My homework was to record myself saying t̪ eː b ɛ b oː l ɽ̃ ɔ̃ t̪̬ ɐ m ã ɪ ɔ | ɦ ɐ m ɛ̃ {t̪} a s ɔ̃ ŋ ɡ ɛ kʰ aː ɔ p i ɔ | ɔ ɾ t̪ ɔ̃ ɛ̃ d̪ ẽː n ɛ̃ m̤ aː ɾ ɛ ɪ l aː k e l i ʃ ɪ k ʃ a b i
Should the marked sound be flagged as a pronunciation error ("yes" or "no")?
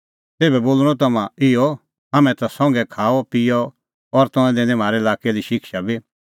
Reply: no